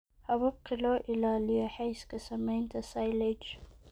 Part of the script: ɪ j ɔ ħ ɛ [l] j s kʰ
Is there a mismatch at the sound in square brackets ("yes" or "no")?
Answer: yes